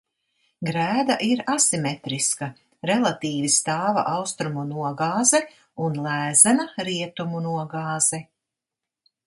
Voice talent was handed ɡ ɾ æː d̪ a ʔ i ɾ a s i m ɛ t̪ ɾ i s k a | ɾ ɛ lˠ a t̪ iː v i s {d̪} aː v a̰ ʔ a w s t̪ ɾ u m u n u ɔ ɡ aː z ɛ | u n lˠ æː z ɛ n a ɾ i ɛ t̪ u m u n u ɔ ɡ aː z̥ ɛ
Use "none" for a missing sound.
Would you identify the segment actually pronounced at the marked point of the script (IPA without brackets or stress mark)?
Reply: t̪